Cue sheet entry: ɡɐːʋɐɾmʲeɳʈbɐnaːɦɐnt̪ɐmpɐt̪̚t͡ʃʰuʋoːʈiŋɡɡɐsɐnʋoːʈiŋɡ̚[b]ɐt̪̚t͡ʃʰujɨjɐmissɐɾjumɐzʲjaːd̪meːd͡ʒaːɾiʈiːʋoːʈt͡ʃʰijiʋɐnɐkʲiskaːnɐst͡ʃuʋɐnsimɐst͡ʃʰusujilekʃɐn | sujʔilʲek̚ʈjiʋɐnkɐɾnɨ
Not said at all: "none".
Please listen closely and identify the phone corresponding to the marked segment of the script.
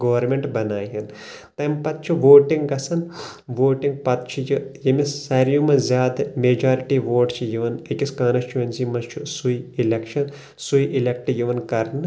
p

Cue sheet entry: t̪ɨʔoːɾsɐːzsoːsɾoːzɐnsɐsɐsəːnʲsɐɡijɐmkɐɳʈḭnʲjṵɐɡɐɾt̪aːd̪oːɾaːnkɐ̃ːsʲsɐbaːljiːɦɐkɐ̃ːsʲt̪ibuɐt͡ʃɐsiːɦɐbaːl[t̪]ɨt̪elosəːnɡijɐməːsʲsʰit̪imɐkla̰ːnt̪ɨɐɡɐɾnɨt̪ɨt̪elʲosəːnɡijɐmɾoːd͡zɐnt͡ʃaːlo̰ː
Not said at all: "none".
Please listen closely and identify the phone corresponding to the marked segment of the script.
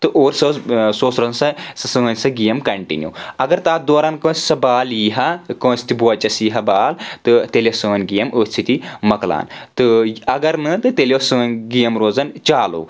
t̪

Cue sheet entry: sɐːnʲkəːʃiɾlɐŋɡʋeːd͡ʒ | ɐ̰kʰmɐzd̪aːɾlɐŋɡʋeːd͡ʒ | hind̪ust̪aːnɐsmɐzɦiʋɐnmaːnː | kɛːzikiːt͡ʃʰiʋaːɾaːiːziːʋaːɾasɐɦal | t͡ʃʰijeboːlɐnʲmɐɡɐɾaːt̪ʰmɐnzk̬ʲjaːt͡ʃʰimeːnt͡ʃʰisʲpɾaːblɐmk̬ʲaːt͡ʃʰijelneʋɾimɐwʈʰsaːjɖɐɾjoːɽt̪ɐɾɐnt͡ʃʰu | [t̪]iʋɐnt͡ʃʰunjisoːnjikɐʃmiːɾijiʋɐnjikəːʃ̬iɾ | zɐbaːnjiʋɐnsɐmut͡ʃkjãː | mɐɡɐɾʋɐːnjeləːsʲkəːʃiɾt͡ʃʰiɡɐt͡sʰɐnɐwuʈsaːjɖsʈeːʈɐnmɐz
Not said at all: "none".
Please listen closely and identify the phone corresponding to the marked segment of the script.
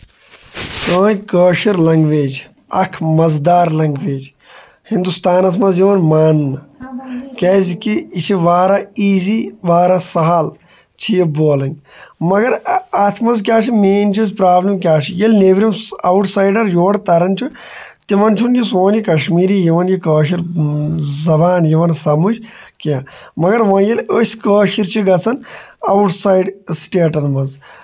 t̪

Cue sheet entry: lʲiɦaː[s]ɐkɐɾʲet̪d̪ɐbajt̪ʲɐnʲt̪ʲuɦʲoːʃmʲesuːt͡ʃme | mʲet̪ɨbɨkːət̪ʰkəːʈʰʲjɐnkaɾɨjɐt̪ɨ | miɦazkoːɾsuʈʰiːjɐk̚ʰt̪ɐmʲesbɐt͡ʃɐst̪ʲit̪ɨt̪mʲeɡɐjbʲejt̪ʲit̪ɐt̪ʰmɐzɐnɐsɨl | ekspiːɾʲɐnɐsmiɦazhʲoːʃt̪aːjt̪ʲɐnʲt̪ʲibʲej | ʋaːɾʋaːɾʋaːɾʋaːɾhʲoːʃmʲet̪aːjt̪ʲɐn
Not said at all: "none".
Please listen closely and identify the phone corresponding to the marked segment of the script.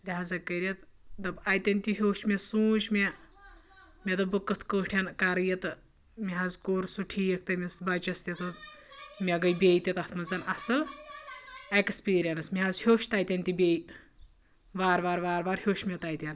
z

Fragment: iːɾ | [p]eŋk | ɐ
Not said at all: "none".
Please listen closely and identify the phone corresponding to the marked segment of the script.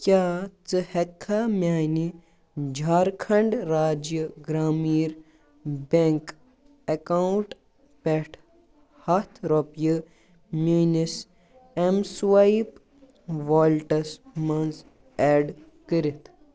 b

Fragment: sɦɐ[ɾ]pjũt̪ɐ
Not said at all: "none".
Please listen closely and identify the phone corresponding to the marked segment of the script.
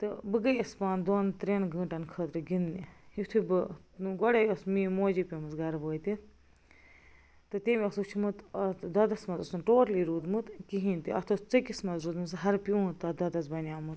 ɾ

